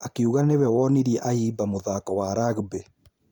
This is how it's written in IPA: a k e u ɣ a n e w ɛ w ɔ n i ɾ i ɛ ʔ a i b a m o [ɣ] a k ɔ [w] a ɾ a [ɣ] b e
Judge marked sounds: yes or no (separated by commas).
no, yes, yes